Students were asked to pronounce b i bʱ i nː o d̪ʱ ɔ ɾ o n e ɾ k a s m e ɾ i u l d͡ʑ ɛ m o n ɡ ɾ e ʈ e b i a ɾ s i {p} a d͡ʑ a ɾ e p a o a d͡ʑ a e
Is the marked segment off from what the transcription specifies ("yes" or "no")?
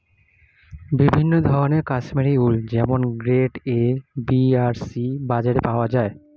yes